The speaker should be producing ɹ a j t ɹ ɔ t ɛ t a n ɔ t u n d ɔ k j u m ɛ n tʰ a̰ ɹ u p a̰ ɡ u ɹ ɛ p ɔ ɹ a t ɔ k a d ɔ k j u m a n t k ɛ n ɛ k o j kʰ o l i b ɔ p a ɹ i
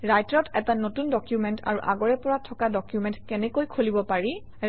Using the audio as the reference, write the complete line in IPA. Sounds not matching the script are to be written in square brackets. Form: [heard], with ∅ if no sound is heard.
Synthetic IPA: ɹ a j t ɹ ɔ t ɛ t a n [o] t u n d ɔ k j u m ɛ n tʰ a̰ ɹ u [ʔ] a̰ ɡ [ɔ] ɹ ɛ p ɔ ɹ a [tʰ] ɔ k a d ɔ k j u m [ɛ] n t k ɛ n ɛ k o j kʰ o l i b ɔ p a ɹ i